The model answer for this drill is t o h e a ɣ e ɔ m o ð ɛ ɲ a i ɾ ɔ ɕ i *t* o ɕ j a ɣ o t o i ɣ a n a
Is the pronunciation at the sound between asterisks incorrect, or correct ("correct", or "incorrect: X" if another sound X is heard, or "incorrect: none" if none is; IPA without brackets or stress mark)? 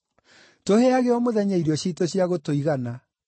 correct